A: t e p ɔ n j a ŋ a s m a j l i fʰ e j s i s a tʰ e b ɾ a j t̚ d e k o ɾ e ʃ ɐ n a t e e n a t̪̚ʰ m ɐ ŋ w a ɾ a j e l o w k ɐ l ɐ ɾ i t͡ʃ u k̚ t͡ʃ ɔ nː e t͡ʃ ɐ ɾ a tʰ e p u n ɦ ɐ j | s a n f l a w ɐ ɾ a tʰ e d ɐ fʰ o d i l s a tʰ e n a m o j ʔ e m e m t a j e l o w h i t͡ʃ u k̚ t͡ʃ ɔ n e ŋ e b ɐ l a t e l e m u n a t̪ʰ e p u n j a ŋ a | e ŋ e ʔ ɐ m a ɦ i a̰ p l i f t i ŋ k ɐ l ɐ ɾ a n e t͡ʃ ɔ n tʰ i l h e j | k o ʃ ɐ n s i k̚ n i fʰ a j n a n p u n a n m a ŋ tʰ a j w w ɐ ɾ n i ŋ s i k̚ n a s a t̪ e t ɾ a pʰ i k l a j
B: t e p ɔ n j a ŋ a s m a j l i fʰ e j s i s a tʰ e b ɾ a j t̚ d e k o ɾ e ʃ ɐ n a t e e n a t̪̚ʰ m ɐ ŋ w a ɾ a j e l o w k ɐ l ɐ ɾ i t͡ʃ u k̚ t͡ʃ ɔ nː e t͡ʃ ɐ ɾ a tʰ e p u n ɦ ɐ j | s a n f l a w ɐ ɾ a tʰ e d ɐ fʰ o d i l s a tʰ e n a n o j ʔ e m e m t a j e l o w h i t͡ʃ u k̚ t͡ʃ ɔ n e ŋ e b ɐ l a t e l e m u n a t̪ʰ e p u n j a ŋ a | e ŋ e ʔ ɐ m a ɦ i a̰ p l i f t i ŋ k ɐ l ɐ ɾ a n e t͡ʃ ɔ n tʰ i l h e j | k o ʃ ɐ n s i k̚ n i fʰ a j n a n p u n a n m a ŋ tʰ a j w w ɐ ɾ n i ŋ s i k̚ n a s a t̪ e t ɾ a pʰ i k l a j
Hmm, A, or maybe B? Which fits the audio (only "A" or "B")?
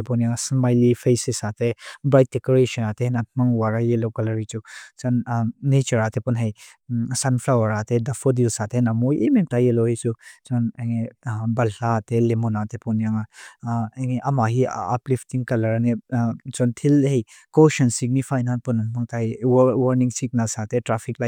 A